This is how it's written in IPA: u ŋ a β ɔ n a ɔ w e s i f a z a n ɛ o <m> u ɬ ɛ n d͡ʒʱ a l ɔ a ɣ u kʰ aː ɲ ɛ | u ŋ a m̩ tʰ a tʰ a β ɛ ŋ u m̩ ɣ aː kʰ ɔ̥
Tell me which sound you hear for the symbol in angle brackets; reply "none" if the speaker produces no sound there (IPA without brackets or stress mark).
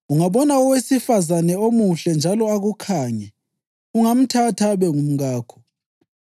m